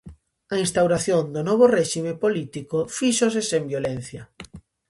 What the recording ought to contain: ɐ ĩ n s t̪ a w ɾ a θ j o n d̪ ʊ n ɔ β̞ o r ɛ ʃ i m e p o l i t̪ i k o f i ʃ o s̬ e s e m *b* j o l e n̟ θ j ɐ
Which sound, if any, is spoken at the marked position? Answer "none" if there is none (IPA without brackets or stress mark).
b